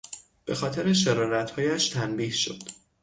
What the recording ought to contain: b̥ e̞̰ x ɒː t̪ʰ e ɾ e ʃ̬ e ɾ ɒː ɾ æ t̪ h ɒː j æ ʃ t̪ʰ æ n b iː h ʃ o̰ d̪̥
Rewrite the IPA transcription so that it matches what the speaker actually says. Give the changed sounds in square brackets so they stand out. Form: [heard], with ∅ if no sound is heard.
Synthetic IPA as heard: b̥ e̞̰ x ɒː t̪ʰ e ɾ e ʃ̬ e ɾ ɒː ɾ æ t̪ h ɒː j æ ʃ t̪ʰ æ n b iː h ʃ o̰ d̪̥